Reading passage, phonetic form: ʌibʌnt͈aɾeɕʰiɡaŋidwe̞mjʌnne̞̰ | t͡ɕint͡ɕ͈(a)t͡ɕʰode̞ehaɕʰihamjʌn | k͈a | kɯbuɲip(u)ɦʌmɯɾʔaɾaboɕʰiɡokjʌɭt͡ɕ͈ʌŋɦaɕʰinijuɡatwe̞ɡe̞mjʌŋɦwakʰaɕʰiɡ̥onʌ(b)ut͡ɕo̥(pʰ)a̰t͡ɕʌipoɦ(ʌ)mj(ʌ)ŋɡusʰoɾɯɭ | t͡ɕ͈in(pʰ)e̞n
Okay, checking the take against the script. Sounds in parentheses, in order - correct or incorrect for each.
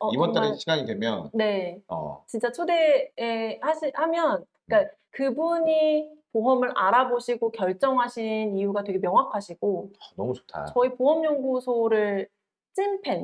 correct, incorrect: o, incorrect: m, incorrect: tʰ, correct, correct, correct

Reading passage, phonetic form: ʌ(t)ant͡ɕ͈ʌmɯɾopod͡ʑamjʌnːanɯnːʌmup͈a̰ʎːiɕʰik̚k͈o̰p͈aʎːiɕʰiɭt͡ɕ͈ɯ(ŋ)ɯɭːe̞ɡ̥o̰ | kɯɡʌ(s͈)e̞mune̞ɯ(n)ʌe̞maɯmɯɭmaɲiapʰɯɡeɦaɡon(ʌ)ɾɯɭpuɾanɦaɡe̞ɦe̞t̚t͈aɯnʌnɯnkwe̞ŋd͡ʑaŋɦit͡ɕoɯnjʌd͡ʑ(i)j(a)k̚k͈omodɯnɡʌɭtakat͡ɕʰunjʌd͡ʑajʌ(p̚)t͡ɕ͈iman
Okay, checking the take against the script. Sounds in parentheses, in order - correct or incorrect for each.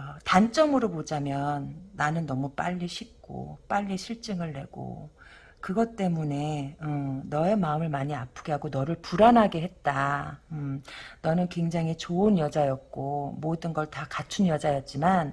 correct, correct, incorrect: t͈, correct, correct, incorrect: a, incorrect: ʌ, incorrect: t̚

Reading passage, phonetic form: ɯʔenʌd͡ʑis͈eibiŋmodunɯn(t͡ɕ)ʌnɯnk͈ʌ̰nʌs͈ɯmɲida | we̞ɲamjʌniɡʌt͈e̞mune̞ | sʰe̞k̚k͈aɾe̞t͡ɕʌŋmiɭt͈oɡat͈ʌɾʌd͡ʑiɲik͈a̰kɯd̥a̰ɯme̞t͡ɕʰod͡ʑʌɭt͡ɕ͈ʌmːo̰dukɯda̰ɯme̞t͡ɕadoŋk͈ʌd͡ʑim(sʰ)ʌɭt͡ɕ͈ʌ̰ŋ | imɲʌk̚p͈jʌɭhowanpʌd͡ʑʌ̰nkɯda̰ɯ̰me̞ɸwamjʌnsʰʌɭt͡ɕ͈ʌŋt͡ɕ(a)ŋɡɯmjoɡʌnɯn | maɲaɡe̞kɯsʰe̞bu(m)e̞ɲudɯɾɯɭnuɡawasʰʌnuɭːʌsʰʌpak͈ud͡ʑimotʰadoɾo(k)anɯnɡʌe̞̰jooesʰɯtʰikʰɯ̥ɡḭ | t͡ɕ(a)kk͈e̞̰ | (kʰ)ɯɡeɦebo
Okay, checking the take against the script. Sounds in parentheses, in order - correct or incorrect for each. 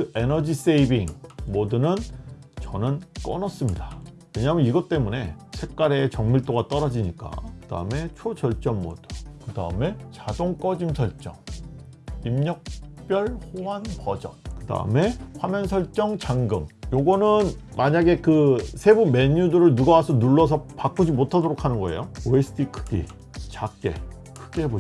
correct, correct, correct, correct, incorrect: kʰ, correct, correct

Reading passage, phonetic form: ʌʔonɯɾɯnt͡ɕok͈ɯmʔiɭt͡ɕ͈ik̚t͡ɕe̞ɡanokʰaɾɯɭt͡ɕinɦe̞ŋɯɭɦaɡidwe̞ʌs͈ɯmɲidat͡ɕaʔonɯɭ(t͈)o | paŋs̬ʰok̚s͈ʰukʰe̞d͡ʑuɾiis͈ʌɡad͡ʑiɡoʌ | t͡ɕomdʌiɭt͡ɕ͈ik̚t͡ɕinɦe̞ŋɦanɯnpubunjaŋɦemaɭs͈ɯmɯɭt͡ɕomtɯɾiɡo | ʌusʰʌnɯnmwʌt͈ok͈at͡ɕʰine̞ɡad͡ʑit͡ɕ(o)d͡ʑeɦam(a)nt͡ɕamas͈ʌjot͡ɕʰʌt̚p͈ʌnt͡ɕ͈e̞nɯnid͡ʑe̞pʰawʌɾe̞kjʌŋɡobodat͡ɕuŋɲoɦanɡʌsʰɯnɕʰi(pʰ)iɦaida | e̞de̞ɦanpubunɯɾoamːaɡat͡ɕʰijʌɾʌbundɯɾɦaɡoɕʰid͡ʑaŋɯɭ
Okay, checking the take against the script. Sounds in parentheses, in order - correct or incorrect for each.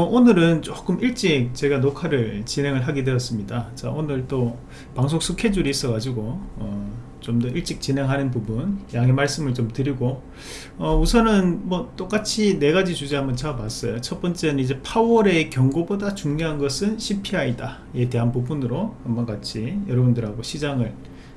correct, incorrect: u, incorrect: ʌ, correct

